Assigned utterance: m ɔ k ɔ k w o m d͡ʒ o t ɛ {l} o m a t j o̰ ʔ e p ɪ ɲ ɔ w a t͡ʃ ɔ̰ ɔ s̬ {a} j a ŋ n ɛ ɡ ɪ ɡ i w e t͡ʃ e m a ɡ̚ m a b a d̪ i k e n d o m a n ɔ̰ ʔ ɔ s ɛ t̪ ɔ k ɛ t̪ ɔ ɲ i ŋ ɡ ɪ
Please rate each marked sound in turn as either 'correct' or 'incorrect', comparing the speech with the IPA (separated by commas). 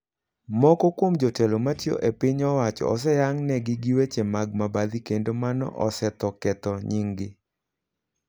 correct, incorrect